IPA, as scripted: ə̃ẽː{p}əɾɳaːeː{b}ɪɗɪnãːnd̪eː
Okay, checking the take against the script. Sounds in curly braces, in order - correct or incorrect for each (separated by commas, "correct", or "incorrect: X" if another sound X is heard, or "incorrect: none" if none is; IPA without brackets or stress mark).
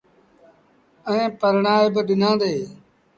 correct, correct